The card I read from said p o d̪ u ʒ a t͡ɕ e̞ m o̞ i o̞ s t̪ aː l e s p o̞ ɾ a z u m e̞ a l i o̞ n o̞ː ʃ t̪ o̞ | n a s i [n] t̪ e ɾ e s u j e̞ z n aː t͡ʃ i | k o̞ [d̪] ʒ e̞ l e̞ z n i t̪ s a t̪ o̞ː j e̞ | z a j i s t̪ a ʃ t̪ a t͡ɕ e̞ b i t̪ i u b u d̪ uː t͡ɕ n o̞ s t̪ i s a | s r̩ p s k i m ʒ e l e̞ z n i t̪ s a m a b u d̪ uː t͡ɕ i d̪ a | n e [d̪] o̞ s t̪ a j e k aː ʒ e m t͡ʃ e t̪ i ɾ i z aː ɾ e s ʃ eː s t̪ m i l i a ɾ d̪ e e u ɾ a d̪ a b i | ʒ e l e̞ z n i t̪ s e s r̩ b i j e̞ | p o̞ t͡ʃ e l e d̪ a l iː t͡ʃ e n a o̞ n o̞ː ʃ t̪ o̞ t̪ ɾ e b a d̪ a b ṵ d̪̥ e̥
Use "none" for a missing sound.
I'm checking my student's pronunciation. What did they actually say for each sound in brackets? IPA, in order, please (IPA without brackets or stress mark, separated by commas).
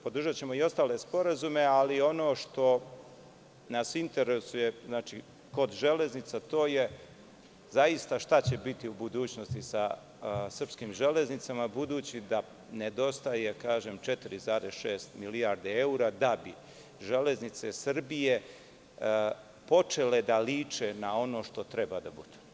n, d̪, d̪